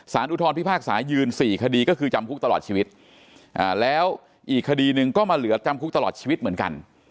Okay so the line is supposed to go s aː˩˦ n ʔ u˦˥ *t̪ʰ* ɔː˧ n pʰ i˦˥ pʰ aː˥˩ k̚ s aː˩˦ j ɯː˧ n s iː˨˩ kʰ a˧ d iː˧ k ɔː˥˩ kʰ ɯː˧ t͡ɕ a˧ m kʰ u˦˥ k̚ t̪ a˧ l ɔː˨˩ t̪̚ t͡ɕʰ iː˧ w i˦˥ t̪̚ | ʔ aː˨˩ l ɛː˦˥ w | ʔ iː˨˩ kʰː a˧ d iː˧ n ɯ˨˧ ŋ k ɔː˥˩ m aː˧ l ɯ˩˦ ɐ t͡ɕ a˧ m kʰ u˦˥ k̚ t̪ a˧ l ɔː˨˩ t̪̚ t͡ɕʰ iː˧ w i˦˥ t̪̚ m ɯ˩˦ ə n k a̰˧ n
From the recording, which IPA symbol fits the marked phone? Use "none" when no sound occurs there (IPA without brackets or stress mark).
t̪ʰ